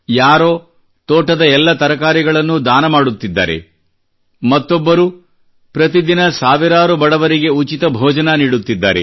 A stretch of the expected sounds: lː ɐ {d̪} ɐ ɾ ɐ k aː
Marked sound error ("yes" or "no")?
yes